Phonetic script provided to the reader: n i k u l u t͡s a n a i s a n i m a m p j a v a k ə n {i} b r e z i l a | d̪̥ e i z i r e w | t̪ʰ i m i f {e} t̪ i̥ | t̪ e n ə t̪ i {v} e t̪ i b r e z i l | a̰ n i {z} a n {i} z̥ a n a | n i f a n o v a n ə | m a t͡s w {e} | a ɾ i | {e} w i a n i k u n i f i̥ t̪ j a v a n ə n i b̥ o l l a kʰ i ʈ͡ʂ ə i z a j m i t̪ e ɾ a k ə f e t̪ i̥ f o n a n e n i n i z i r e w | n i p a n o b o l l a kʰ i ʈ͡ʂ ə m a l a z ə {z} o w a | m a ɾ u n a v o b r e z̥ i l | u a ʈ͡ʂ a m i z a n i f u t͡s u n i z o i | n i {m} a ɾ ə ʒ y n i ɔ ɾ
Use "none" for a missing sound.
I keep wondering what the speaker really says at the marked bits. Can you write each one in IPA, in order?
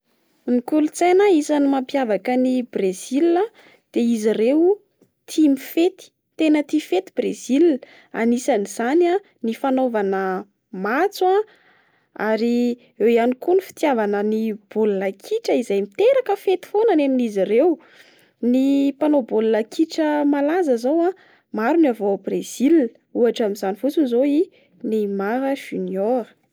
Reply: i, e, f, s, i, a, e, z, m

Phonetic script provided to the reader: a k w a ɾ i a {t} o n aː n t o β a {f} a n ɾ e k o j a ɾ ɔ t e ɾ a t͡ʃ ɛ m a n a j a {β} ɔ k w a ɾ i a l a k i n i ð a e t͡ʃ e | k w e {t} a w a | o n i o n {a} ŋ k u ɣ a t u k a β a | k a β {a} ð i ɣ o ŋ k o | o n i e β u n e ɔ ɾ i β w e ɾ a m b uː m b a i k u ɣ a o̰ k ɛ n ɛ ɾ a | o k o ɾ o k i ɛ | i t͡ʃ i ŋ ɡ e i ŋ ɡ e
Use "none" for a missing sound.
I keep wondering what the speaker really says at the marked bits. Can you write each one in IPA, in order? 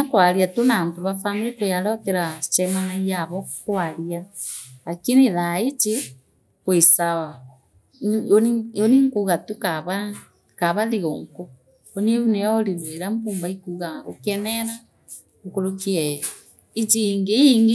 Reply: t, f, β, s, i, a

